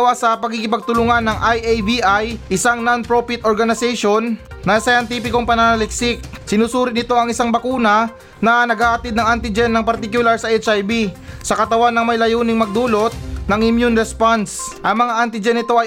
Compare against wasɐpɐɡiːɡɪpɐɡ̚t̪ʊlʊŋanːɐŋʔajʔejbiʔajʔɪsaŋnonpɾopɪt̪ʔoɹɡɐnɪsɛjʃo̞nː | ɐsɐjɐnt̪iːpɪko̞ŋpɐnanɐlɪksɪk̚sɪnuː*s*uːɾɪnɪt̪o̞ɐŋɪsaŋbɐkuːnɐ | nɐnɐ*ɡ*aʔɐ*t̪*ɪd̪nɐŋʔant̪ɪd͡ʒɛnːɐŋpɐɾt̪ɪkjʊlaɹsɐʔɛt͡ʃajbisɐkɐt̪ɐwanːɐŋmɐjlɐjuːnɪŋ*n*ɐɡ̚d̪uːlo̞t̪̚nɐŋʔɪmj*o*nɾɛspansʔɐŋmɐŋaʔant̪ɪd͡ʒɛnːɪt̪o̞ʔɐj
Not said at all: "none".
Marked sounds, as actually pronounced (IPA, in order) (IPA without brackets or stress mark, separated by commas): s, ɡ, t̪, m, u